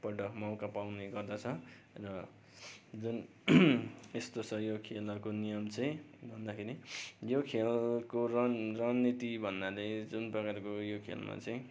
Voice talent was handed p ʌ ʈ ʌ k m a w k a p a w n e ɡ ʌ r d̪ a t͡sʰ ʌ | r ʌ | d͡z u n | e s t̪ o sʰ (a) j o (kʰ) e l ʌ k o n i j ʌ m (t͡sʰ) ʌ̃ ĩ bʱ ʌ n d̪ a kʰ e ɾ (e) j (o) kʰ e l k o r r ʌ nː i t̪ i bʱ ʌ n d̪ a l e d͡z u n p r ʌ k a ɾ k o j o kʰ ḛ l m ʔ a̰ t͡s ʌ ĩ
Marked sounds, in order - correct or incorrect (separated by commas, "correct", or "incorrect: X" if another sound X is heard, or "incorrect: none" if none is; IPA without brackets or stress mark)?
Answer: incorrect: ʌ, correct, incorrect: t͡s, incorrect: i, correct